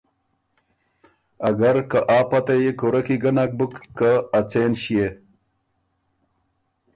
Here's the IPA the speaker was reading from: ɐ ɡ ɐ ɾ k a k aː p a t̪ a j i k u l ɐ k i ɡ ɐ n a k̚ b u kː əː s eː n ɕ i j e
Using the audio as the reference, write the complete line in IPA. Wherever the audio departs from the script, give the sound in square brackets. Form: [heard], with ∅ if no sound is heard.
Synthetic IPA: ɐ ɡ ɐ ɾ k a [ʔ] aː p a t̪ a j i k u [ɾ] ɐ k i ɡ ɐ n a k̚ b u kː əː [t͡s] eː n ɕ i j e

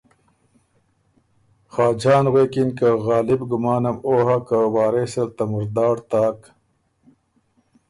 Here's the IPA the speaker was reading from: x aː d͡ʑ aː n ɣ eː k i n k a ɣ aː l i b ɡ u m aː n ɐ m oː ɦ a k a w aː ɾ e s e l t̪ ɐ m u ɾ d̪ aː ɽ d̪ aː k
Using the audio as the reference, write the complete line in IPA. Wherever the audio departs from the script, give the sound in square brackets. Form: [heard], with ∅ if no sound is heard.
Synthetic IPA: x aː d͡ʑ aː n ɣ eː k i n k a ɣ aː l i b ɡ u m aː n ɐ m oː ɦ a k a w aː ɾ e s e l t̪ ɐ m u ɾ d̪ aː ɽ [t̪] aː k

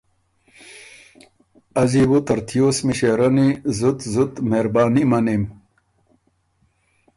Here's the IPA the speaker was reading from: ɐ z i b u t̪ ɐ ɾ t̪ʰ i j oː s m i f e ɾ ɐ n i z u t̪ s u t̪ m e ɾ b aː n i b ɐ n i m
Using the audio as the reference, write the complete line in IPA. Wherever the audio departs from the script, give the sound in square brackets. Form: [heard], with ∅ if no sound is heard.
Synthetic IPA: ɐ z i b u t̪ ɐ ɾ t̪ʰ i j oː s m i [ɕ] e ɾ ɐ n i z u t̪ [z] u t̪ m e ɾ b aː n i [m] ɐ n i m

